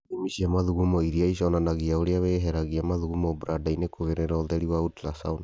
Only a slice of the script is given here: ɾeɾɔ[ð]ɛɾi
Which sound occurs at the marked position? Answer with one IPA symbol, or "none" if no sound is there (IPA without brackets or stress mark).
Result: ð